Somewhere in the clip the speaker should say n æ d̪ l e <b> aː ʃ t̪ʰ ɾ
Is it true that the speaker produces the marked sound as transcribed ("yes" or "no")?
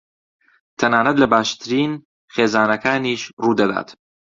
yes